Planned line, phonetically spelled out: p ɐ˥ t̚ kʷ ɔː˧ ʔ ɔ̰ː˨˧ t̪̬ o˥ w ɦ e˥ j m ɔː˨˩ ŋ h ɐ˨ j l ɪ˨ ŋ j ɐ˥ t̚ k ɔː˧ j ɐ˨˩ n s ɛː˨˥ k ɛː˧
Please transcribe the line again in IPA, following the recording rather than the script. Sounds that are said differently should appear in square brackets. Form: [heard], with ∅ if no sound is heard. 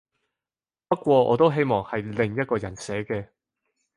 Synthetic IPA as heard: p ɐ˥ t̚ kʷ ɔː˧ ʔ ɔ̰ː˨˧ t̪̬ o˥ w ɦ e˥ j m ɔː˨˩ ŋ h ɐ˨ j l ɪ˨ ŋ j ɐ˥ t̚ k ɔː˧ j ɐ˨˩ n s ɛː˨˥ k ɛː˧